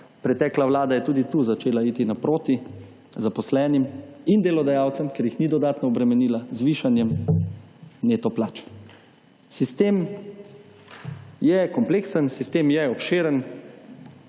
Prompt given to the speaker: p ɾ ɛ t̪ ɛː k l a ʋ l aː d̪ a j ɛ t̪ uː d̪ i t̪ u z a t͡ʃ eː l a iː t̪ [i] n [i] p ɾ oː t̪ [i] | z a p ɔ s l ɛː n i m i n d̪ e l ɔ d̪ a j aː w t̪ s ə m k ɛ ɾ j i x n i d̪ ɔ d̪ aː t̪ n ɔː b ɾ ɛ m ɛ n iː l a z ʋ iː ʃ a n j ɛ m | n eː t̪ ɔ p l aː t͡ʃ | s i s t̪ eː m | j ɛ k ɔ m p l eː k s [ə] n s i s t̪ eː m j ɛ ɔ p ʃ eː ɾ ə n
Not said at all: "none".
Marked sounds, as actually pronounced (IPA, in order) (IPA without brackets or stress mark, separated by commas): i, a, i, ə